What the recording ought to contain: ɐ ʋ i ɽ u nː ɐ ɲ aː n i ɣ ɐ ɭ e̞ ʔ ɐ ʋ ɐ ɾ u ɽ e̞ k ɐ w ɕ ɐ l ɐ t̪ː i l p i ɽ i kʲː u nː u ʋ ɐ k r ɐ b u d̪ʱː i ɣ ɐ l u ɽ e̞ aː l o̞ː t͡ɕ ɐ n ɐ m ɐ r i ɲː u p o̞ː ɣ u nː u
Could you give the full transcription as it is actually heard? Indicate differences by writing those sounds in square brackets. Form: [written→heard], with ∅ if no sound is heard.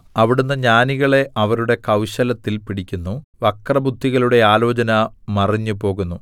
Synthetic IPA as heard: ɐ ʋ i ɽ u nː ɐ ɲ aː n i ɣ ɐ ɭ e̞ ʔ ɐ ʋ ɐ ɾ u ɽ e̞ k ɐ w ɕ ɐ l ɐ t̪ː i l p i ɽ i kʲː u nː u ʋ ɐ k r ɐ b u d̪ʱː i ɣ ɐ l u ɽ e̞ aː l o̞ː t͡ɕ ɐ n ɐ m ɐ r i ɲː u p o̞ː ɣ u nː u